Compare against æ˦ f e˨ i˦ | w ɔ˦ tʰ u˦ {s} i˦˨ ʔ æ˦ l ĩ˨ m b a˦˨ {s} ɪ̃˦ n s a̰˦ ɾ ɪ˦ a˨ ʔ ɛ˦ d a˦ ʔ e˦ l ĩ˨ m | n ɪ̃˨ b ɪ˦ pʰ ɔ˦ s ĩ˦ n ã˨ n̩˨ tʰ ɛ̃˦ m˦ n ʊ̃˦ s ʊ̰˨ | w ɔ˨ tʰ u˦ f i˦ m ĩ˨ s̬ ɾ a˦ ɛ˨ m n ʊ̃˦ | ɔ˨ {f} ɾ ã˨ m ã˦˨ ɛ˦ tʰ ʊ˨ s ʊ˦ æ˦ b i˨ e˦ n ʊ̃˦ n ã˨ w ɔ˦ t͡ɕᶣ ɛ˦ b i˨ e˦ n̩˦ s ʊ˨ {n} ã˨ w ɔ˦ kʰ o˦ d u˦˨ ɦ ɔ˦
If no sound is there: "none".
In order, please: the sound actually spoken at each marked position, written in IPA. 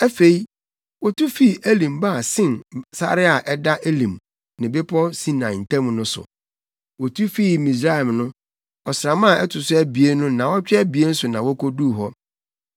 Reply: f, s, s, n

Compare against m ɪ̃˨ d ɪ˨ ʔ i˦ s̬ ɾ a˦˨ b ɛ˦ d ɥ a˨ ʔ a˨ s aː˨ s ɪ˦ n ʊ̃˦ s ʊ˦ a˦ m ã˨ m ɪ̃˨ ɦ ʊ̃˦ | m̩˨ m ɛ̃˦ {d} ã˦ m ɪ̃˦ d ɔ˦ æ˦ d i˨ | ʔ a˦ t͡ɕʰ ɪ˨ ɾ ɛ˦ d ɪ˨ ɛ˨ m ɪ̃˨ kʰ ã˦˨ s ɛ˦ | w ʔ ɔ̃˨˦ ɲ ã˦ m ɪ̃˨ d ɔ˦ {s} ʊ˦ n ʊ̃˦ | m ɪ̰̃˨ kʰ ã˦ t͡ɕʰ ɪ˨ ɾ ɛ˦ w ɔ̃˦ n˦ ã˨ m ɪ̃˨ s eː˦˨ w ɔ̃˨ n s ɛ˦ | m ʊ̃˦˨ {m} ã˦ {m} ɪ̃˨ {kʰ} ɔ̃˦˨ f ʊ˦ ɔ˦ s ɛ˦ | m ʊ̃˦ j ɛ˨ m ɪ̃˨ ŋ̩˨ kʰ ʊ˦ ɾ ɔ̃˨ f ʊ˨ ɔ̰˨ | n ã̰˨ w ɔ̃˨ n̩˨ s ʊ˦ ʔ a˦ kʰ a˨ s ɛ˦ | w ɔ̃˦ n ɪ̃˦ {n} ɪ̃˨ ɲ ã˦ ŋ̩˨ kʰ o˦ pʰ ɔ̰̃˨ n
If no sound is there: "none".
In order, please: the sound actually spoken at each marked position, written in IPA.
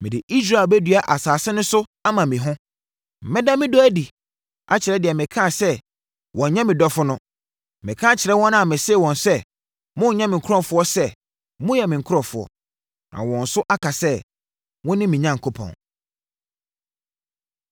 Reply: d, f, ɲ, m, kʰ, m

